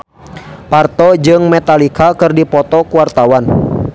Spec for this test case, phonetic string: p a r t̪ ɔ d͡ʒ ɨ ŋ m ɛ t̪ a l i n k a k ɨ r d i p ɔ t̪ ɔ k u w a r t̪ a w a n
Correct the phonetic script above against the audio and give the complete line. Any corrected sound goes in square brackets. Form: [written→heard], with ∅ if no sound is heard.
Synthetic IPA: p a r t̪ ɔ d͡ʒ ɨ ŋ m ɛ t̪ a l i [n→∅] k a k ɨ r d i p ɔ t̪ ɔ k u w a r t̪ a w a n